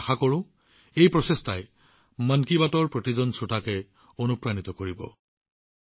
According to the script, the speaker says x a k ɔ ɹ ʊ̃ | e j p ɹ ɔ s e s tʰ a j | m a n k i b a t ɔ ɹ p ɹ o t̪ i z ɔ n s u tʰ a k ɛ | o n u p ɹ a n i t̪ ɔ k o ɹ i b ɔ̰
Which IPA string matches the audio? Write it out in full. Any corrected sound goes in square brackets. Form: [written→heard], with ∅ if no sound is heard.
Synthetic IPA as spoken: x a k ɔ ɹ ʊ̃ | e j p ɹ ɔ s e s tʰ a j | m a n k i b a t ɔ ɹ p ɹ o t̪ i z ɔ n s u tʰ a k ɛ | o n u p ɹ a n i t̪ ɔ k o ɹ i b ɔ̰